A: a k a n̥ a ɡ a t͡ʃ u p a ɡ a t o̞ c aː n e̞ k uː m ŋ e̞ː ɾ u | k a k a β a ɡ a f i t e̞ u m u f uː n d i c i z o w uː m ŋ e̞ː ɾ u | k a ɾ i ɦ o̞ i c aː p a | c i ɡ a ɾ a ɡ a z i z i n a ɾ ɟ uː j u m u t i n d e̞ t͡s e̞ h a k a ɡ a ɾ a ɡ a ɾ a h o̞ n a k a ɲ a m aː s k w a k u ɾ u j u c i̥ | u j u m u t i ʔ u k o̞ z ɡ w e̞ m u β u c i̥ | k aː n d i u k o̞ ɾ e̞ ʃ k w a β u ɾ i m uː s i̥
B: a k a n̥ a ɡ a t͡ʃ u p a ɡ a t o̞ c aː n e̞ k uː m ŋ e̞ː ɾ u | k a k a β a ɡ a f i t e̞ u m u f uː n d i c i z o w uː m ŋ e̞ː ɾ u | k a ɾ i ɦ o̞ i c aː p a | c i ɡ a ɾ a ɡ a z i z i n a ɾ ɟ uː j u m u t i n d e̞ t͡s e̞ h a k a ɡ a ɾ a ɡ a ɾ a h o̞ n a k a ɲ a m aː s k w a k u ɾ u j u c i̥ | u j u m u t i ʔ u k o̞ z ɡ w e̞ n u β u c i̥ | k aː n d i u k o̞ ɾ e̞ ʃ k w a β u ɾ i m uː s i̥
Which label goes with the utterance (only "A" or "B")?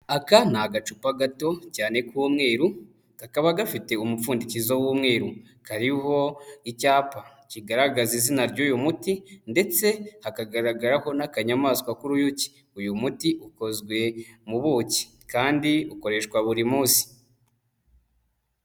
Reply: A